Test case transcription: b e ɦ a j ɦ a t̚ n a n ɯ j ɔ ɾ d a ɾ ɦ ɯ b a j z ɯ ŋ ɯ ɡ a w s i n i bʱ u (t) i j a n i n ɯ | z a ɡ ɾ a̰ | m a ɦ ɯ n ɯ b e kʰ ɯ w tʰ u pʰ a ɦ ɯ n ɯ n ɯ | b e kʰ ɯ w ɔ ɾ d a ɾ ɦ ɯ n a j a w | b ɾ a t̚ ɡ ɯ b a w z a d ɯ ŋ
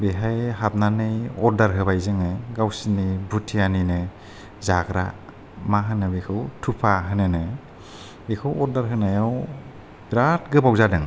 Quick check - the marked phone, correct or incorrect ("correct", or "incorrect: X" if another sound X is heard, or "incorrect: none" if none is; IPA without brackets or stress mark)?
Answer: incorrect: tʰ